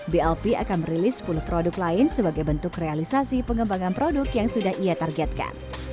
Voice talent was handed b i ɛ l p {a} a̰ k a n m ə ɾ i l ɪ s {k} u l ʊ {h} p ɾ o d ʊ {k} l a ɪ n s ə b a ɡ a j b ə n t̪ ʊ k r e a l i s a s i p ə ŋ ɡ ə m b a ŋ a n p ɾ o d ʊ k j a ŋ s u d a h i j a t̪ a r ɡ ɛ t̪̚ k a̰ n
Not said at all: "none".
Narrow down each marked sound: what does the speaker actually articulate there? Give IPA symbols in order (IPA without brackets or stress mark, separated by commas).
i, p, h, k